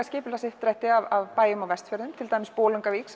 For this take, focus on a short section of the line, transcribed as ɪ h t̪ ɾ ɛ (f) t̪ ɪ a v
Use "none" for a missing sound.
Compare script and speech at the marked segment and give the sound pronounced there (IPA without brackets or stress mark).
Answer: h